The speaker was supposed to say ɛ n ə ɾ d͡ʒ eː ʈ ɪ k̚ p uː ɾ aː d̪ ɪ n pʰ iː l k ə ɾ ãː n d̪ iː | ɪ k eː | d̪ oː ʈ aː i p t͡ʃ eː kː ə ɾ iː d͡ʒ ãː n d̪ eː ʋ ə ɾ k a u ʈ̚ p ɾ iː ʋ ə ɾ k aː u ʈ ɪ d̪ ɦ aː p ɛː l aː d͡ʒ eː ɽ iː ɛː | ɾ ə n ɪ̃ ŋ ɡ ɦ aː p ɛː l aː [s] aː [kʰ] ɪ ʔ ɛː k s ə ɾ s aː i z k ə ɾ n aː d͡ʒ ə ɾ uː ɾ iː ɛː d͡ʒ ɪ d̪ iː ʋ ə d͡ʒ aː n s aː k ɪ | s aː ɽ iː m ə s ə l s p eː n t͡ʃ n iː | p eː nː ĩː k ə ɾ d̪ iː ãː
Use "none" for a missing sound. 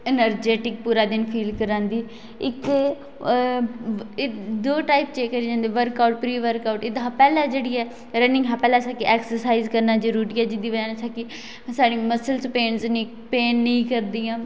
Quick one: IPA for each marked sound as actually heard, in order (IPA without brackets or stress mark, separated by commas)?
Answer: s, k